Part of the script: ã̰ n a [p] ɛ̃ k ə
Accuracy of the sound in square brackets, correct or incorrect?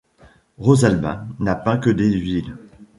correct